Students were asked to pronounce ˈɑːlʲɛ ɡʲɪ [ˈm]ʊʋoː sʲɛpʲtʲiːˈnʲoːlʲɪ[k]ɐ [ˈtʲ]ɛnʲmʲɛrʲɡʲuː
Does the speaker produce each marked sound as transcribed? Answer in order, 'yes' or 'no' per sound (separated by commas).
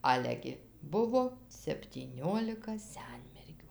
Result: no, yes, no